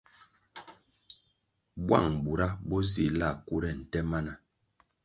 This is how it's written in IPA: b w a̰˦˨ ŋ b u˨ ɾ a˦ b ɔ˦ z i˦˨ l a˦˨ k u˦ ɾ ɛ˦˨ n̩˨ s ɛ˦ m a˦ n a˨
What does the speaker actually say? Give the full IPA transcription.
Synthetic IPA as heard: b w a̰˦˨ ŋ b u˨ ɾ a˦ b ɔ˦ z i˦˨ l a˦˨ k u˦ ɾ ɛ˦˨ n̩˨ t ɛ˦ m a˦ n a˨